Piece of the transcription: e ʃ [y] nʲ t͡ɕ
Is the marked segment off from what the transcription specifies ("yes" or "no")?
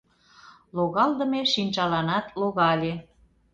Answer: yes